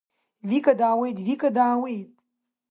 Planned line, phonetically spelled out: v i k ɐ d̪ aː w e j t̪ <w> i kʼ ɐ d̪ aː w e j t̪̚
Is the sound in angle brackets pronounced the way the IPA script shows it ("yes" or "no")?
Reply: no